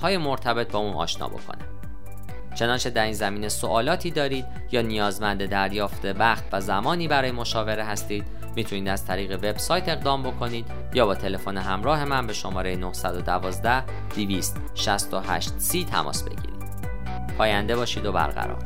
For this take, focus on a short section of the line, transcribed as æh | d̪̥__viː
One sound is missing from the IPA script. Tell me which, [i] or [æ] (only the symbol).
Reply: i